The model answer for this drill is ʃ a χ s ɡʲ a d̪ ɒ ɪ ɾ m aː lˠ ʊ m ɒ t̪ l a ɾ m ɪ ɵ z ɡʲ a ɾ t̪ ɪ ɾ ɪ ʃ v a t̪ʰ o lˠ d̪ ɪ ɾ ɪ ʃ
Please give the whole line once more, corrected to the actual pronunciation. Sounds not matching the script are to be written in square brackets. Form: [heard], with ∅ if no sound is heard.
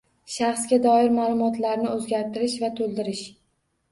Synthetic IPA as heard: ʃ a χ s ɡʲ a d̪ ɒ ɪ ɾ m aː lˠ ʊ m ɒ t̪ l a ɾ [n] ɪ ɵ z ɡʲ a ɾ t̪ ɪ ɾ ɪ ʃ v a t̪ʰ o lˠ d̪ ɪ ɾ ɪ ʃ